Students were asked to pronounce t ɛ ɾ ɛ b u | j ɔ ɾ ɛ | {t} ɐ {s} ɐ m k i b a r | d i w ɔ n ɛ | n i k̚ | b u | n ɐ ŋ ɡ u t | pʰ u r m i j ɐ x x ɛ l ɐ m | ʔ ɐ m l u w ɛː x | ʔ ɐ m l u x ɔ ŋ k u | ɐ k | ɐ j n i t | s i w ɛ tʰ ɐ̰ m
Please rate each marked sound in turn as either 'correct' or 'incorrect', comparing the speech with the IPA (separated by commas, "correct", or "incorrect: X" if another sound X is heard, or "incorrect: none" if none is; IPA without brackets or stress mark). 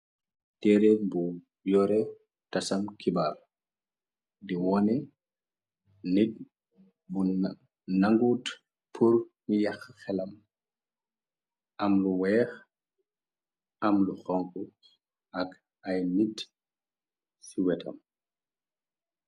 correct, correct